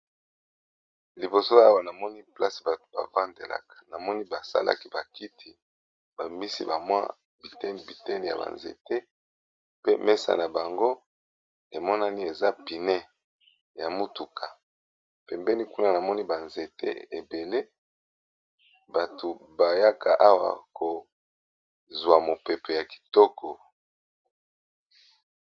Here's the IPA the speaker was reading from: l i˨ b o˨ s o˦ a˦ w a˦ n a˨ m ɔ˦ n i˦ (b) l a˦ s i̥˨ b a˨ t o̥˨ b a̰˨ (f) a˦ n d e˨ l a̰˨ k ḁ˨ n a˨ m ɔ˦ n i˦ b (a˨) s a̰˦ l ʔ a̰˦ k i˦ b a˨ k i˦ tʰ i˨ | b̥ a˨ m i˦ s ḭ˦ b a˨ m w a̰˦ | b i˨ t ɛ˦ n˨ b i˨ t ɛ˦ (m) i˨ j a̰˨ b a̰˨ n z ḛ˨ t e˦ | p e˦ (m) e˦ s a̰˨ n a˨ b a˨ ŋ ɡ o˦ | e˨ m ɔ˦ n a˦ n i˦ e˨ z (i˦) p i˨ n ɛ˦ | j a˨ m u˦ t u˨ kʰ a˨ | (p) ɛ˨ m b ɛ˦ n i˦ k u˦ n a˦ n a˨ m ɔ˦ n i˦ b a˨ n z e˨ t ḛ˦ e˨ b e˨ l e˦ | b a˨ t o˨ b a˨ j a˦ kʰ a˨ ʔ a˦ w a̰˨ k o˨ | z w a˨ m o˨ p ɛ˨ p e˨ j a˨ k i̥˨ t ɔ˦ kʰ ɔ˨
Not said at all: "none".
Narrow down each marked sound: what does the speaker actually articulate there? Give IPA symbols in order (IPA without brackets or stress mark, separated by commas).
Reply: p, v, a˨, n, m, a˦, p